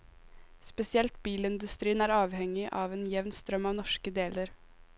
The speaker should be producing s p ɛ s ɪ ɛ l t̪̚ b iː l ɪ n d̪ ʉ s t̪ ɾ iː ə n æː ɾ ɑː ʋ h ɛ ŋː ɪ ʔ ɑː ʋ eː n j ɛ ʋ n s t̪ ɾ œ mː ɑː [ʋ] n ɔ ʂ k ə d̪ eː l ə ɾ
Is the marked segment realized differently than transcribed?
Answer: no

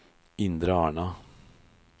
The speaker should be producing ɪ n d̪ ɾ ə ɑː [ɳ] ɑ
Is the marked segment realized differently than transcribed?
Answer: no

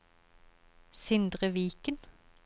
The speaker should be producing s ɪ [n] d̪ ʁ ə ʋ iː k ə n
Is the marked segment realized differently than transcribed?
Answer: no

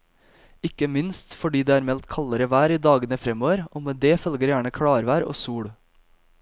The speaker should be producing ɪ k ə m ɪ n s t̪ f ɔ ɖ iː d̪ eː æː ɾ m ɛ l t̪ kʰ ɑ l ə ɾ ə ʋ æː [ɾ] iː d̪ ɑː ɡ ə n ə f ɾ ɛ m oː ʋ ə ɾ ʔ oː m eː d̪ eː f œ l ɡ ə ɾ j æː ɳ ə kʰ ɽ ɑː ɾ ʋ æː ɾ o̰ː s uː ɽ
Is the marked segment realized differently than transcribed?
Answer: no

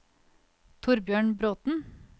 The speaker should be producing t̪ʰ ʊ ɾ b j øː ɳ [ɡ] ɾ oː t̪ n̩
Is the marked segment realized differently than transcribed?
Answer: yes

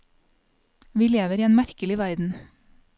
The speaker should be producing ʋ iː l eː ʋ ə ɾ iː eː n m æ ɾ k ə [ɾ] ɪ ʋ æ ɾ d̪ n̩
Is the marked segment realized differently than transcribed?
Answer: yes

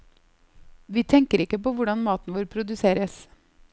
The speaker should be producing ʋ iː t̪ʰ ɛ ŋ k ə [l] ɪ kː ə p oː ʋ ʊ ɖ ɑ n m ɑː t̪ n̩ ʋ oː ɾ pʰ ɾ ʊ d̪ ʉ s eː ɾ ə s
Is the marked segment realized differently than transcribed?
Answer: yes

